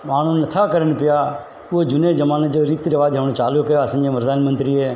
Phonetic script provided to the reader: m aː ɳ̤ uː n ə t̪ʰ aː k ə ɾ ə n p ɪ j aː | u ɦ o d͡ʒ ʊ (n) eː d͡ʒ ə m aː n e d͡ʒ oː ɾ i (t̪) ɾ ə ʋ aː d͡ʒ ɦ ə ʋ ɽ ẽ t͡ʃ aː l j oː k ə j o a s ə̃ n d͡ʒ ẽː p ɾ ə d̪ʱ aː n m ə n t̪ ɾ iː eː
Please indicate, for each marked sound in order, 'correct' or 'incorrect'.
correct, correct

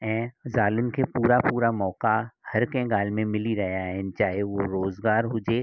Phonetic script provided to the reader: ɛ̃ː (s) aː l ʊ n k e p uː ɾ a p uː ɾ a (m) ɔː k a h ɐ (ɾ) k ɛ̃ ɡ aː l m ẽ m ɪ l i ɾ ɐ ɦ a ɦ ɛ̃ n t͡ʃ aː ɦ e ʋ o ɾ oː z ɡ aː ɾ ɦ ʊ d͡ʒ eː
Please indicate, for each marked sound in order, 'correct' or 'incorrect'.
incorrect: z, correct, correct

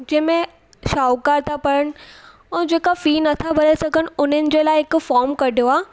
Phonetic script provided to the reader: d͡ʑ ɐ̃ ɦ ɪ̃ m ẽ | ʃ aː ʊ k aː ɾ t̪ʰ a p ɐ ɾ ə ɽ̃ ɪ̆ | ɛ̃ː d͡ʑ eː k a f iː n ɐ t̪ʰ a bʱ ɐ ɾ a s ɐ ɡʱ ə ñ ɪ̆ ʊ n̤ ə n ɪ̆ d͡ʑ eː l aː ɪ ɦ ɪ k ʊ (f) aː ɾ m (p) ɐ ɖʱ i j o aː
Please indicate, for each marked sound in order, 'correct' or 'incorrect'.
correct, incorrect: k

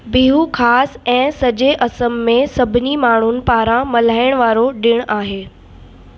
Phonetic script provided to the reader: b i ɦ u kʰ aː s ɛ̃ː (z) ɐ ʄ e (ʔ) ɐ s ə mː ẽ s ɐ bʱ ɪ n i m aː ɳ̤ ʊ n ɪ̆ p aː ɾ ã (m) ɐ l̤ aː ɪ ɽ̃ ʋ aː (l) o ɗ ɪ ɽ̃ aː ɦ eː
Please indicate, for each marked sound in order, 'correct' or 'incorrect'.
incorrect: s, correct, correct, incorrect: ɾ

